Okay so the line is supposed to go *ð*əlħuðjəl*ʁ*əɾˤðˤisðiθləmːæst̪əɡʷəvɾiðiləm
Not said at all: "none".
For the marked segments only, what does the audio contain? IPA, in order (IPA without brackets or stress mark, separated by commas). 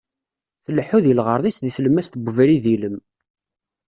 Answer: θ, ʁ